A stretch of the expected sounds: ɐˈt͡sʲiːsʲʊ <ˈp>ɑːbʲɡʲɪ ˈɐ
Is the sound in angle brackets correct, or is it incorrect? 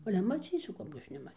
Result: incorrect